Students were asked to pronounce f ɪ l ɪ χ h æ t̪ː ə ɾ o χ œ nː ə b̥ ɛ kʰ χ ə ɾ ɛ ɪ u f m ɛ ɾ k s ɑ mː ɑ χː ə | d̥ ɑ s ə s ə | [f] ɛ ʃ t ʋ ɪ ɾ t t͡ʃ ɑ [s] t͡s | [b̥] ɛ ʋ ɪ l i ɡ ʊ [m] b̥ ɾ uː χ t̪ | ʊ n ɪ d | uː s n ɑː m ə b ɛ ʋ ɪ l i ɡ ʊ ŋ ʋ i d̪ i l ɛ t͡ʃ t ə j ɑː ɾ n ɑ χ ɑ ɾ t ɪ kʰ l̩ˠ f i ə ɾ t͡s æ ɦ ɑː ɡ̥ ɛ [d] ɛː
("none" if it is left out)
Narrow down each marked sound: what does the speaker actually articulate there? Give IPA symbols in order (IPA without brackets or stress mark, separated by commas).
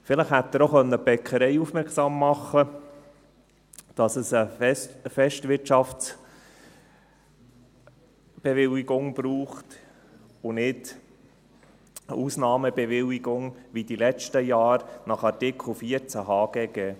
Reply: f, f, b̥, ŋ, ɡ